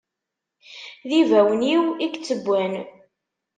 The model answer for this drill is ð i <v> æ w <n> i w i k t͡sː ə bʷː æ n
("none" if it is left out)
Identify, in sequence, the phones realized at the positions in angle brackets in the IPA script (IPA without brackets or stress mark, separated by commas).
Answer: v, n